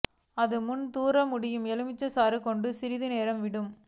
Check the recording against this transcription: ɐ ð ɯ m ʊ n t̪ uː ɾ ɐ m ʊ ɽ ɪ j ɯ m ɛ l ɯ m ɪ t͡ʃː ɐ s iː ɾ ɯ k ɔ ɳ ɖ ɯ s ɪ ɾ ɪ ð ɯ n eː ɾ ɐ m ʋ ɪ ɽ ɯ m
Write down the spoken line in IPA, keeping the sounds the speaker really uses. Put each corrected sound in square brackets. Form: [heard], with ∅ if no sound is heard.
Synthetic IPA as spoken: ɐ ð ɯ m ʊ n t̪ uː ɾ ɐ m ʊ ɽ ɪ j ɯ m ɛ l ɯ m ɪ t͡ʃː ɐ s [aː] ɾ ɯ k ɔ ɳ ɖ ɯ s ɪ ɾ ɪ ð ɯ n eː ɾ ɐ m ʋ ɪ ɽ ɯ m